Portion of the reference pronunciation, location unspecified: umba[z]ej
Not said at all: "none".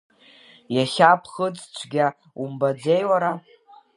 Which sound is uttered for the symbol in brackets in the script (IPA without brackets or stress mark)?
d͡z